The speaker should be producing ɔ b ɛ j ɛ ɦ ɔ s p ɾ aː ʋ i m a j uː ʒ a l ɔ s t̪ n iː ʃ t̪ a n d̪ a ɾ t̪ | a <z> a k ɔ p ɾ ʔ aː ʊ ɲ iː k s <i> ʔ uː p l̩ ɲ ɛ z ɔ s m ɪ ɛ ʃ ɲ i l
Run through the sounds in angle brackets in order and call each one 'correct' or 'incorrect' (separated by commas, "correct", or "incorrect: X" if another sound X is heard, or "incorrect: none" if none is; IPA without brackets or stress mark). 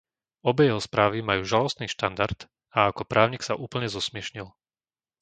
incorrect: none, incorrect: a